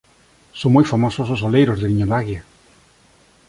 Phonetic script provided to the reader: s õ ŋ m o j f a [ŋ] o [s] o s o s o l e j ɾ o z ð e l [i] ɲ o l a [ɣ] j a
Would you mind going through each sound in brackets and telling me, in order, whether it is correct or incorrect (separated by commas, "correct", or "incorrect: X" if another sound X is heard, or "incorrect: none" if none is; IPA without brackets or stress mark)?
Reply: incorrect: m, correct, correct, correct